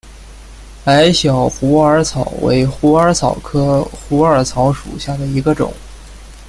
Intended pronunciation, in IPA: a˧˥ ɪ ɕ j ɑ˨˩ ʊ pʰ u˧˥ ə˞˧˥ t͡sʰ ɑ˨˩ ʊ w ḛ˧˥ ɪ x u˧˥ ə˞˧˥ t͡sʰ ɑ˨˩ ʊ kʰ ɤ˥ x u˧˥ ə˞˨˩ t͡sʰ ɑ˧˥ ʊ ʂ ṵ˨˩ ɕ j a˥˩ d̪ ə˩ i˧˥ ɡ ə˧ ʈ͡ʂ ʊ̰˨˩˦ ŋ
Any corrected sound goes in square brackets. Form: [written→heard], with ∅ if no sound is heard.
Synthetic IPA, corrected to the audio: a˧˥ ɪ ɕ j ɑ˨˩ ʊ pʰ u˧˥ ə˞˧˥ t͡sʰ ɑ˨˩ ʊ w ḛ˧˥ ɪ x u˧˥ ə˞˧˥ t͡sʰ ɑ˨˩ ʊ kʰ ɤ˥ x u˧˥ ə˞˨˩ t͡sʰ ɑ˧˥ ʊ ʂ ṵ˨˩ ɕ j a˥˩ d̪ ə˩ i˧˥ ɡ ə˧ ʈ͡ʂ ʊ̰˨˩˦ ŋ